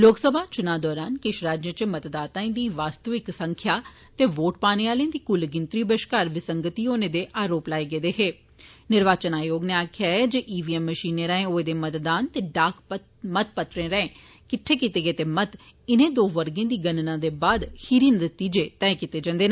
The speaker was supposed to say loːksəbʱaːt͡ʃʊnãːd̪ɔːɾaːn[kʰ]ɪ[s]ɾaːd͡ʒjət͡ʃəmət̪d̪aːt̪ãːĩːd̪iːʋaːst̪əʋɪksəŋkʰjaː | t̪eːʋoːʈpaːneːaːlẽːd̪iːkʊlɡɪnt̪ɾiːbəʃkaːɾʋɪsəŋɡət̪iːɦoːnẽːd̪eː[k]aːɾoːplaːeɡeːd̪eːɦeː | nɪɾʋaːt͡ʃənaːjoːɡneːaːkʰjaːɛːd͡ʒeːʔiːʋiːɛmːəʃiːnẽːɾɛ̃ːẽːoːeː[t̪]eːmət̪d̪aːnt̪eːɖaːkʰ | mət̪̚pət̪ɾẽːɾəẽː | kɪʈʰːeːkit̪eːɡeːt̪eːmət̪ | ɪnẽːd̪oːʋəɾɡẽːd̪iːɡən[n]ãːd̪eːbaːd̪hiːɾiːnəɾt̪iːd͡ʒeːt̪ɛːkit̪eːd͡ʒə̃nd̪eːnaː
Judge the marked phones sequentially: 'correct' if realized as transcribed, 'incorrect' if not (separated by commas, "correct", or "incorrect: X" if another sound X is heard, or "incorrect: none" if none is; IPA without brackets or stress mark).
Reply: incorrect: k, incorrect: ʃ, incorrect: ʔ, incorrect: d̪, correct